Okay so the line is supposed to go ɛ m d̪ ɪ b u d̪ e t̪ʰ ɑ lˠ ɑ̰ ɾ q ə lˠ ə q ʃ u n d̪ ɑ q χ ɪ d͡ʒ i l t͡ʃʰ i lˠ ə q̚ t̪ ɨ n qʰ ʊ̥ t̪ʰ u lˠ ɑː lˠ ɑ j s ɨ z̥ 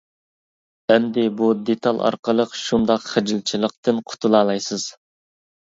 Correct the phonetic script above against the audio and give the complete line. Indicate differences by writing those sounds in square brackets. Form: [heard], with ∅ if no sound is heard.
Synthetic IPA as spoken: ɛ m d̪ ɪ b u d̪ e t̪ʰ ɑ lˠ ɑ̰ ɾ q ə lˠ ə q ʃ u n d̪ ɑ q χ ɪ d͡ʒ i l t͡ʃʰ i lˠ ə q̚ t̪ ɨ n qʰ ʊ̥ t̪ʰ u lˠ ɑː lˠ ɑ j s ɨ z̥